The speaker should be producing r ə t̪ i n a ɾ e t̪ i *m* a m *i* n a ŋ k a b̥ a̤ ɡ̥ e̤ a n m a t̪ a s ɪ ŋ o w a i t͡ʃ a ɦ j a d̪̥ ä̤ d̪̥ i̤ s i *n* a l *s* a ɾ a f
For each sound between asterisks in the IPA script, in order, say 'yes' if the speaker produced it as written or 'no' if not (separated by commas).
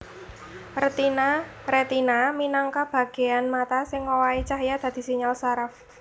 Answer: no, yes, no, yes